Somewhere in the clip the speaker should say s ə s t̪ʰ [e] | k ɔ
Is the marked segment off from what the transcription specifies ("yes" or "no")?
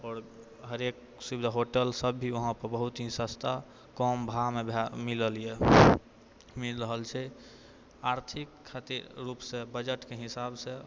yes